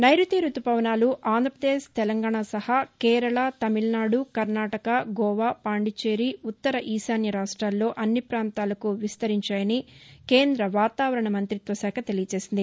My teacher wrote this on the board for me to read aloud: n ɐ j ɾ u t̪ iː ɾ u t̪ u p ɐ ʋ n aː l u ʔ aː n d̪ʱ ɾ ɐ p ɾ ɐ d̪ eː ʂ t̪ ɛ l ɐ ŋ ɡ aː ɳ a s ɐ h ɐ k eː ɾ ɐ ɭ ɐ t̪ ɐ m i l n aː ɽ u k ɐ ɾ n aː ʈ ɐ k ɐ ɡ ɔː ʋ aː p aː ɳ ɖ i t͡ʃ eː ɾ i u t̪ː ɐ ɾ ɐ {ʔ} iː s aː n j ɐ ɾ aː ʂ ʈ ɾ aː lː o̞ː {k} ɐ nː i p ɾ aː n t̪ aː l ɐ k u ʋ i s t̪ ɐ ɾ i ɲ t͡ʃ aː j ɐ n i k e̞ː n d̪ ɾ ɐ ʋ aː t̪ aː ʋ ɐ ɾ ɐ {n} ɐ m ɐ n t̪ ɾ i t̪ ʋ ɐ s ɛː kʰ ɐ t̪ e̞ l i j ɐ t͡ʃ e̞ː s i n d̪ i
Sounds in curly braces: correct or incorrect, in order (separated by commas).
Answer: correct, incorrect, incorrect